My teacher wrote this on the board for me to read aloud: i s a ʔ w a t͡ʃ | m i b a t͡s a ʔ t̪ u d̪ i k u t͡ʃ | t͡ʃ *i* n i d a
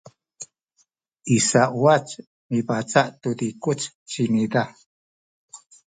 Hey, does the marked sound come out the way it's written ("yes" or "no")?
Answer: yes